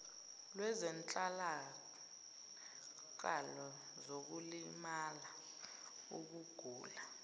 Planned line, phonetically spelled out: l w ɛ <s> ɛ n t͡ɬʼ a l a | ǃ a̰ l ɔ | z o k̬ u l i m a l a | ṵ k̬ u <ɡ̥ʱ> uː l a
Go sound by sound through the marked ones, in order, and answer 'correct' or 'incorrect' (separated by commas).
incorrect, correct